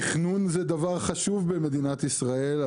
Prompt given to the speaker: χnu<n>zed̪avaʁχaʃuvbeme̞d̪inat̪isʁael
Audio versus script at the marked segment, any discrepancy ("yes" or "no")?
no